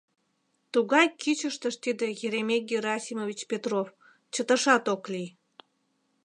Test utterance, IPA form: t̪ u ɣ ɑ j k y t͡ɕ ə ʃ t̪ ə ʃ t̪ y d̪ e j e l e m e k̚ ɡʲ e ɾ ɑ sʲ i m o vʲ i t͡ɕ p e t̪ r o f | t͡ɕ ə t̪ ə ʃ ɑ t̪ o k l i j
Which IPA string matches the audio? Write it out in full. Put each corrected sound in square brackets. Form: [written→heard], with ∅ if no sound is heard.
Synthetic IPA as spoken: t̪ u ɣ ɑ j k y t͡ɕ ə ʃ t̪ ə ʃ t̪ [y→i] d̪ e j e [l→ɾ] e m e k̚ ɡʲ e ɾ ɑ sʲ i m o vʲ i t͡ɕ p e t̪ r o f | t͡ɕ ə t̪ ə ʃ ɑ t̪ o k l i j